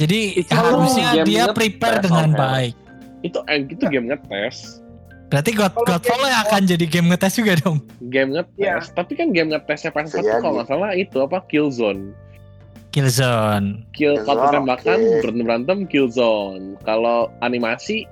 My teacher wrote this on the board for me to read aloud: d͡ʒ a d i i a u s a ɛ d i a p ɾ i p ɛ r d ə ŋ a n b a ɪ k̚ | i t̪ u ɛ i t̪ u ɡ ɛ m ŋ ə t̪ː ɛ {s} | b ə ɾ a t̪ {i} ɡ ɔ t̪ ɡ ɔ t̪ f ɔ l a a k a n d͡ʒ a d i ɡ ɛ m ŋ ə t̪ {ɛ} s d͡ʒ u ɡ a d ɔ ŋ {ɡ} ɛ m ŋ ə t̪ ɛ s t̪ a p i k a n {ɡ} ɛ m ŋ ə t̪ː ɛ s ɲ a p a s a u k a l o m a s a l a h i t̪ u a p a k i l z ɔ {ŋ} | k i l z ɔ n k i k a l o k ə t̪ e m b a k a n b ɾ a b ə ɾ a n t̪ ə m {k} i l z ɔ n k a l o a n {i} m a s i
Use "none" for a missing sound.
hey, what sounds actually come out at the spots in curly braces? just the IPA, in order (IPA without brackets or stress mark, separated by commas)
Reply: s, i, ɛ, ɡ, ɡ, n, k, i